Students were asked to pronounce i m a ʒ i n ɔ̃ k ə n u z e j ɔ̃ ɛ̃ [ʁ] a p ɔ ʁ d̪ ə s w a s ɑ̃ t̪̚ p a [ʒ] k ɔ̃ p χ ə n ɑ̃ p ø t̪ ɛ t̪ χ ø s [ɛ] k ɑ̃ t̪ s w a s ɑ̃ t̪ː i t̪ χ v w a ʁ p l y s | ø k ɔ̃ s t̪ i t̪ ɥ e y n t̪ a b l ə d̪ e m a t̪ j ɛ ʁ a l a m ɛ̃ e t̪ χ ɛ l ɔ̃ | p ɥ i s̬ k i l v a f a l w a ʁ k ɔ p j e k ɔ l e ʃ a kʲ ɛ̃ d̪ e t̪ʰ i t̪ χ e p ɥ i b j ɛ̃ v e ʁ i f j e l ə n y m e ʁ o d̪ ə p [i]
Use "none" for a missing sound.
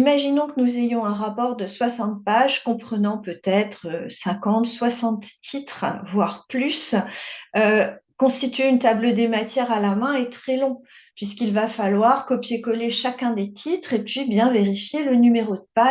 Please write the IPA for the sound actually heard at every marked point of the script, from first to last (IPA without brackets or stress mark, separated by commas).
ʁ, ʒ, ɛ̃, a